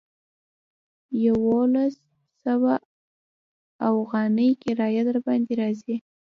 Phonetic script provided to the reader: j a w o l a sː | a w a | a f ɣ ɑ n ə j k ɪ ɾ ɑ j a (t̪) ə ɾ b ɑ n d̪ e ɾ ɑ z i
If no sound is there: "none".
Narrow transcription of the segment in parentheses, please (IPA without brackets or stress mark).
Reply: d̪